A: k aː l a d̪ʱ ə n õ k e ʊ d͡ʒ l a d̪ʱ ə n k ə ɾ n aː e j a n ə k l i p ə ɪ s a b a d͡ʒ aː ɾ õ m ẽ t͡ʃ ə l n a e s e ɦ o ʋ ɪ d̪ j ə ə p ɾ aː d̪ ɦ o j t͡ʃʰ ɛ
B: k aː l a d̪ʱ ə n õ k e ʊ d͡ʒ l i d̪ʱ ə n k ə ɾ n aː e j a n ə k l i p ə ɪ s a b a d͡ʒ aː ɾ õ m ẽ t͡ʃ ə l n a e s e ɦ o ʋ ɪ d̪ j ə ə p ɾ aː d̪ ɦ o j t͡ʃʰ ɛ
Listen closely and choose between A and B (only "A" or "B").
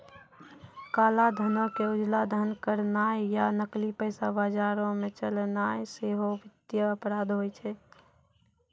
A